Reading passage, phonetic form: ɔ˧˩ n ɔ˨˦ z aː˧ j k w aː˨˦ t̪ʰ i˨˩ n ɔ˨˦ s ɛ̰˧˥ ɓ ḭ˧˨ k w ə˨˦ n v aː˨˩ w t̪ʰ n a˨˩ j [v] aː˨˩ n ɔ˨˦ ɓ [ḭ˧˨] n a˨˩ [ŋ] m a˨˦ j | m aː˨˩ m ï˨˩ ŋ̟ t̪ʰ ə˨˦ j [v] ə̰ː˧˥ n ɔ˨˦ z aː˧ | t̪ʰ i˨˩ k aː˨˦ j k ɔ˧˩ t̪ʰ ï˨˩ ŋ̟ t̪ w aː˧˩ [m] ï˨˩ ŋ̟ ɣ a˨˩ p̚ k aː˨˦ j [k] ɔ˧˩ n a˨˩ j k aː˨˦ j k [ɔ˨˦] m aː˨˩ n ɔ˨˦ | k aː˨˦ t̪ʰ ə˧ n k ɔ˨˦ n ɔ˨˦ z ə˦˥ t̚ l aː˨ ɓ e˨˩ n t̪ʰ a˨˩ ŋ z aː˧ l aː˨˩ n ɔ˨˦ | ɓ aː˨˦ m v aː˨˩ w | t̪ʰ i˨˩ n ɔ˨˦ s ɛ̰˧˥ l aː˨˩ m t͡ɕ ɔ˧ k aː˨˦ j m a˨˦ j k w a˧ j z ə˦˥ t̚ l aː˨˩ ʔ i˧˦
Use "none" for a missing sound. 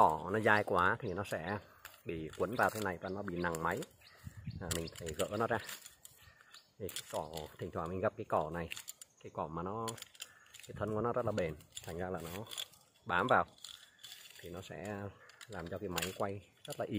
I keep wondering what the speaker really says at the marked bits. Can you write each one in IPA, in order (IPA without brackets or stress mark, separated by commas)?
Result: v, ḭ˧˨, ŋ, ɣ, m, k, ɔ˧˩